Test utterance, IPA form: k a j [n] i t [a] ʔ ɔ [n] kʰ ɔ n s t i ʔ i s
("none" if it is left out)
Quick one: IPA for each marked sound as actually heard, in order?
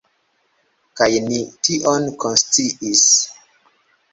n, i, n

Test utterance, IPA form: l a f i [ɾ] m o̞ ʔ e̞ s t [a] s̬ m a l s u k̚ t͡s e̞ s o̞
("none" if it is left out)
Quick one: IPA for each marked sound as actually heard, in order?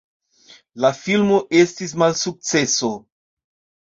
l, i

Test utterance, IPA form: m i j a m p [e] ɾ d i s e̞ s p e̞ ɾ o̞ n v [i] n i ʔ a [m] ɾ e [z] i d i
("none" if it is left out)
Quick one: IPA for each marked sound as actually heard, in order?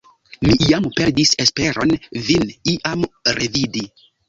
e, i, m, v

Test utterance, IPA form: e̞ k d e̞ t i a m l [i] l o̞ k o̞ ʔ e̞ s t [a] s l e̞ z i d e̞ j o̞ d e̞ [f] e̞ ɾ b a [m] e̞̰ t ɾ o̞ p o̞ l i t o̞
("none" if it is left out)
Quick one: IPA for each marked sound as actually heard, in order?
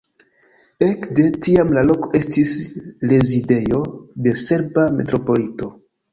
a, i, s, m

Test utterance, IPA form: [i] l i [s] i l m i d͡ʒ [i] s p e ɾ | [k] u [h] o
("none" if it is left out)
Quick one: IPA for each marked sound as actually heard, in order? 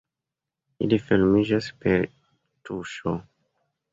i, f, a, t, ʃ

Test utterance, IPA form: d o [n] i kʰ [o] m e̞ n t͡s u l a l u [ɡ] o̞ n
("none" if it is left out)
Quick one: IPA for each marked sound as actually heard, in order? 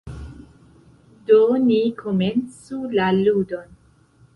n, o, d

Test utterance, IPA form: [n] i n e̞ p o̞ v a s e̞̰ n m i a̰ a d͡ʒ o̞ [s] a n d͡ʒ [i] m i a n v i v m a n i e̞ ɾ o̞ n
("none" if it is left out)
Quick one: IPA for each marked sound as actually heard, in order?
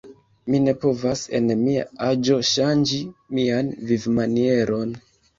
m, ʃ, i

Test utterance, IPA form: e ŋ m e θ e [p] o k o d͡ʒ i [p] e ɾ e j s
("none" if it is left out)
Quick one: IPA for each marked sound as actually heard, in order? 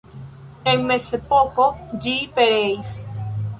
p, p

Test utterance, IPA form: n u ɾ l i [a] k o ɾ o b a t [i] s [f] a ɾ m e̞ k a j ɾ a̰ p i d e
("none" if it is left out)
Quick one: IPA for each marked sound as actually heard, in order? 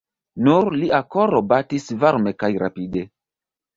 a, i, v

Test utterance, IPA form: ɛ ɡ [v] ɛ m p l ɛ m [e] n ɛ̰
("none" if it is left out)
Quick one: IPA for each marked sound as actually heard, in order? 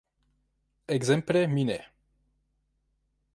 z, i

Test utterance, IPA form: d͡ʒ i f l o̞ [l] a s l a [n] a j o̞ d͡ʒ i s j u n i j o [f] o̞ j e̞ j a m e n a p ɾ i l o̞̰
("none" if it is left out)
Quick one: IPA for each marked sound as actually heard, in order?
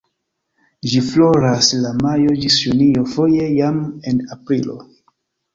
ɾ, m, f

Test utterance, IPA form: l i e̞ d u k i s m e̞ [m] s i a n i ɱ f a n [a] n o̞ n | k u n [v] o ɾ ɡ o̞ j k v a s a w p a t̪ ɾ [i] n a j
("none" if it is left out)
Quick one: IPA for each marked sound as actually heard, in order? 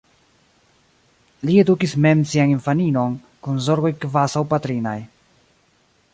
m, i, z, i

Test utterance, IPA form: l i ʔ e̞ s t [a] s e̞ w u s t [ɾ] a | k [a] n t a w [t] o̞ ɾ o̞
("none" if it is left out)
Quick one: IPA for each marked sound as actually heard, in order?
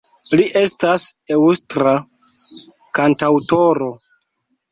a, ɾ, a, t

